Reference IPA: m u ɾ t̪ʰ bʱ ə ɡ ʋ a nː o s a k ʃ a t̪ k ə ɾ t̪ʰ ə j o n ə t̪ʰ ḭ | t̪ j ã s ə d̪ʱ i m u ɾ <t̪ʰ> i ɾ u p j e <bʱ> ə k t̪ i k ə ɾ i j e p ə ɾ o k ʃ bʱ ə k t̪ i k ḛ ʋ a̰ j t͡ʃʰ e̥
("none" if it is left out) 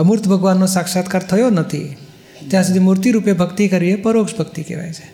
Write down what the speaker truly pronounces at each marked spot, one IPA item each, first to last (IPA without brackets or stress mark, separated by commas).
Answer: t̪, bʱ